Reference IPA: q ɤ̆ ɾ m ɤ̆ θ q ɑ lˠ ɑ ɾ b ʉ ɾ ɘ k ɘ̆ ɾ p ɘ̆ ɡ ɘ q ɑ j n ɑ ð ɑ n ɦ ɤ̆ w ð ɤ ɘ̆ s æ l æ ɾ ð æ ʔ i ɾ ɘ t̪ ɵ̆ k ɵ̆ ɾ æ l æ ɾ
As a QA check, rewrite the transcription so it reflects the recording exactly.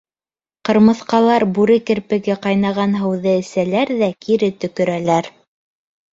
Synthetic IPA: q ɤ̆ ɾ m ɤ̆ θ q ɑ lˠ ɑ ɾ b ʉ ɾ ɘ k ɘ̆ ɾ p ɘ̆ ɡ ɘ q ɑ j n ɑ ʁ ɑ n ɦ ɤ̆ w ð ɤ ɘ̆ s æ l æ ɾ ð æ k i ɾ ɘ t̪ ɵ̆ k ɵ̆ ɾ æ l æ ɾ